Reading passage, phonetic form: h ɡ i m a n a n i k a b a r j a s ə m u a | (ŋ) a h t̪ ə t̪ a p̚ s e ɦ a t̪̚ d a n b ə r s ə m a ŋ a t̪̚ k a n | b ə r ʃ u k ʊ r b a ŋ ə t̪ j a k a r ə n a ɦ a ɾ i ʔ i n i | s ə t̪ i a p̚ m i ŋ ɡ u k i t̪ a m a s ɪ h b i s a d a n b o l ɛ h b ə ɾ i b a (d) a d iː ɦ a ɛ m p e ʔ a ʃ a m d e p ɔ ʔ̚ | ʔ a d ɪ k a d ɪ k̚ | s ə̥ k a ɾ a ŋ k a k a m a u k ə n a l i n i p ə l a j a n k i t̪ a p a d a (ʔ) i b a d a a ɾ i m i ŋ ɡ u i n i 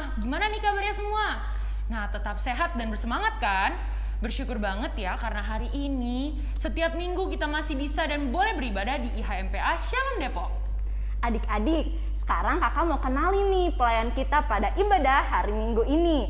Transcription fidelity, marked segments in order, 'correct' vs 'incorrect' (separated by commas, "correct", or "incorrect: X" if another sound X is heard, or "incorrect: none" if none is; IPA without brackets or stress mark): incorrect: n, correct, correct